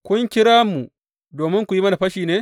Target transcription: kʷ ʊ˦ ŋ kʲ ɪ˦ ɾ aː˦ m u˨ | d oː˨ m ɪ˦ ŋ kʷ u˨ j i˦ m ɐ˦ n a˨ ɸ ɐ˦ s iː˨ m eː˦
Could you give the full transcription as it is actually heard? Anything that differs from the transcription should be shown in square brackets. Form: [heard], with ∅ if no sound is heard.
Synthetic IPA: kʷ ʊ˦ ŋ kʲ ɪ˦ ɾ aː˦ m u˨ | d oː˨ m ɪ˦ ŋ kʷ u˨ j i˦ m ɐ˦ n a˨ ɸ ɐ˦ [ʃ] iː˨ [n] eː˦